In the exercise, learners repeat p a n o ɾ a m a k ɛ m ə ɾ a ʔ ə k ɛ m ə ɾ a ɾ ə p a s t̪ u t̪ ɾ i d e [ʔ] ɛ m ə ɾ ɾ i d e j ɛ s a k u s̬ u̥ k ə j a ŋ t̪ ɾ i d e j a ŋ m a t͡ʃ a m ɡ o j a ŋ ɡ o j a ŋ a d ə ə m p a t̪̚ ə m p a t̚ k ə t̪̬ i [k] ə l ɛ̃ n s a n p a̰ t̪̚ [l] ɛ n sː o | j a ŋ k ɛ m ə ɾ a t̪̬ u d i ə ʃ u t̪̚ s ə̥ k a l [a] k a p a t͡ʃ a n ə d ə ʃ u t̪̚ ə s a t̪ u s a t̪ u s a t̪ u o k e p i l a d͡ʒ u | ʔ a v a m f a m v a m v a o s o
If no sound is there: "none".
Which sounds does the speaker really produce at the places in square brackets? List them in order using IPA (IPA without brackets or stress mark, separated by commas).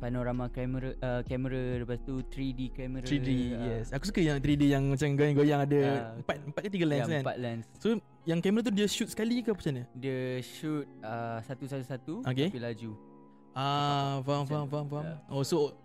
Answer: k, ɡ, l, i